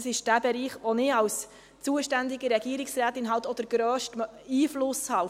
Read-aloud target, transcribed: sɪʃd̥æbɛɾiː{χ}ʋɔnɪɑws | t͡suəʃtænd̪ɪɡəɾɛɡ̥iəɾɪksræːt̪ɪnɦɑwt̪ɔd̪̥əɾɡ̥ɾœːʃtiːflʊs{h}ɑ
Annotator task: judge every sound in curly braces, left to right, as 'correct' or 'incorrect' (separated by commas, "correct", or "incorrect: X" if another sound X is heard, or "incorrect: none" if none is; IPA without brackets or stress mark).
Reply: correct, correct